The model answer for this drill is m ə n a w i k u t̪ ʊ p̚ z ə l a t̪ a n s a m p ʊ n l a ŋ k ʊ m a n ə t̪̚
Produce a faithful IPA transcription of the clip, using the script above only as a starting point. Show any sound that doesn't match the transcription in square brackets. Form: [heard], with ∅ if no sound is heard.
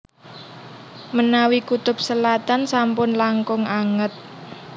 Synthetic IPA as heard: m ə n a w i k u t̪ ʊ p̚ [s] ə l a t̪ a n s a m p ʊ n l a ŋ k ʊ [ŋ] a [ŋ] ə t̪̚